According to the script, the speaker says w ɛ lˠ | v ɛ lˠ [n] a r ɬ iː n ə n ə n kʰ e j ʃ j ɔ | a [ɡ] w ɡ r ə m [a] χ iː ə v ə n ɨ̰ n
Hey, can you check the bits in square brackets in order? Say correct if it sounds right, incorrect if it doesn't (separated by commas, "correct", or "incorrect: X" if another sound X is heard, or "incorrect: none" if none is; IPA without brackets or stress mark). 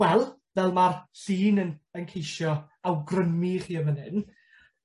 incorrect: m, incorrect: none, incorrect: i